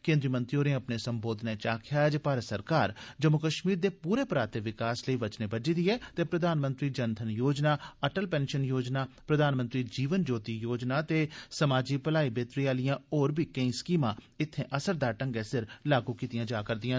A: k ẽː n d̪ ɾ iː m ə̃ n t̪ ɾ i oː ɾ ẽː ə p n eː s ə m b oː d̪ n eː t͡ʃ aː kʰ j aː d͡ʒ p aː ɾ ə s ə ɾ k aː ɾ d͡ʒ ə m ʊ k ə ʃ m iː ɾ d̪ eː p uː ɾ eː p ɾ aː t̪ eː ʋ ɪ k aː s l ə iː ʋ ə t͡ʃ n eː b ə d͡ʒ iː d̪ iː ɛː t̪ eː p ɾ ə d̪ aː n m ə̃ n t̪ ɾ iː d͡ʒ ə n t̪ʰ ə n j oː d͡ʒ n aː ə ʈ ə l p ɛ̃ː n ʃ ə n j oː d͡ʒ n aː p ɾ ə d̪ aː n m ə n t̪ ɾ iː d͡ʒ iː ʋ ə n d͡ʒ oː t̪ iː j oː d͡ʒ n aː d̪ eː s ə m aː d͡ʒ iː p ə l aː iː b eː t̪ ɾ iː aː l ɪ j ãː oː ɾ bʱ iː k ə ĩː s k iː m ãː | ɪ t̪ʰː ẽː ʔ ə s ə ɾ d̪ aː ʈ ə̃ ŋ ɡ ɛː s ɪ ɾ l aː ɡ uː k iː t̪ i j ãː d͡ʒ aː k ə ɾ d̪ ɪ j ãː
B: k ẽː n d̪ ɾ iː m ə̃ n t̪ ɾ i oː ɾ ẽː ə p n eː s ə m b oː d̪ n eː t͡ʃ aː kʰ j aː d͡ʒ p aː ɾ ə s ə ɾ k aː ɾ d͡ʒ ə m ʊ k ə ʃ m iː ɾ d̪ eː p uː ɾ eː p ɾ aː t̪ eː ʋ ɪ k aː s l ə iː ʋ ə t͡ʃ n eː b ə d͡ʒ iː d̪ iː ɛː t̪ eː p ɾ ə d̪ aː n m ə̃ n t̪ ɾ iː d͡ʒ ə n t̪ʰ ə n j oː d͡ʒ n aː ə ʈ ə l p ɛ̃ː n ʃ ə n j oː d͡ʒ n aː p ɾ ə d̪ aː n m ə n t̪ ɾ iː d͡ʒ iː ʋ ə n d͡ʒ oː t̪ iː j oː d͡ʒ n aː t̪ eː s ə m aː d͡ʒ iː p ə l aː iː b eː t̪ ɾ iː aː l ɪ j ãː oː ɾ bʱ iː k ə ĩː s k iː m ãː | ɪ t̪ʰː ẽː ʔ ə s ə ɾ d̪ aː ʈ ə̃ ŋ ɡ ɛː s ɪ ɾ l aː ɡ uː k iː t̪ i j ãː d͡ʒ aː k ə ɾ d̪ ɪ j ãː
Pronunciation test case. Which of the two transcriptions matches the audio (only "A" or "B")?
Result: B